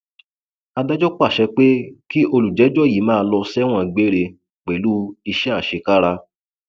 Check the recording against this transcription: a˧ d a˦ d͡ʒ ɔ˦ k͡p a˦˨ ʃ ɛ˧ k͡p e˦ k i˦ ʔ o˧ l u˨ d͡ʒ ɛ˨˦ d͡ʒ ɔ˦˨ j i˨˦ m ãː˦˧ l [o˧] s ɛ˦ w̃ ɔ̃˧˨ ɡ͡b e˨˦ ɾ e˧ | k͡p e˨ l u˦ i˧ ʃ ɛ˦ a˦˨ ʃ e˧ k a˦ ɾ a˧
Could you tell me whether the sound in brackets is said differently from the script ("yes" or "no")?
yes